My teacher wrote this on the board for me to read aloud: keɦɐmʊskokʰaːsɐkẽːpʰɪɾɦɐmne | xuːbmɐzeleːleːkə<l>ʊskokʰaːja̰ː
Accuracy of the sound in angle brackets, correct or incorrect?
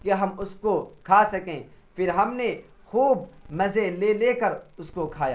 incorrect